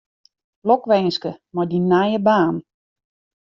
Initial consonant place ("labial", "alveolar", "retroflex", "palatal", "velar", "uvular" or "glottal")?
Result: alveolar